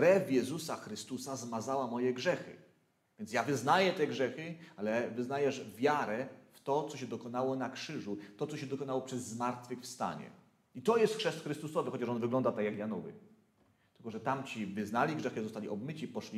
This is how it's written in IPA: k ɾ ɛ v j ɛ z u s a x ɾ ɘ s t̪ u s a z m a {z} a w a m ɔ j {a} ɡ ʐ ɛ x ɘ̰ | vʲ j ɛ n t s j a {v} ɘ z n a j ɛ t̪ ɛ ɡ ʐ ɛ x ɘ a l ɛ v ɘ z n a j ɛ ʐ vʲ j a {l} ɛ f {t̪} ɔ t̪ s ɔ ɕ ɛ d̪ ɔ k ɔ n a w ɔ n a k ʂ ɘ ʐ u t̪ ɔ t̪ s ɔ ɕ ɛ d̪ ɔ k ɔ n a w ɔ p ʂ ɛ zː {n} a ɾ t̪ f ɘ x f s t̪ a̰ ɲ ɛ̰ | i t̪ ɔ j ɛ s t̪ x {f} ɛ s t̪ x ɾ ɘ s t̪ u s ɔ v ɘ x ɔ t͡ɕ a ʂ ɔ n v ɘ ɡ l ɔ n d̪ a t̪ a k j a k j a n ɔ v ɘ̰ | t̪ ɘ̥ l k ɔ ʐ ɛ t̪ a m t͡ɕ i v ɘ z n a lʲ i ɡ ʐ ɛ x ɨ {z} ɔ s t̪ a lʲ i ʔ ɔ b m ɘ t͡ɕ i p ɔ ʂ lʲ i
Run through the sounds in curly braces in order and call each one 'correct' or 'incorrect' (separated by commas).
correct, incorrect, correct, incorrect, correct, incorrect, incorrect, correct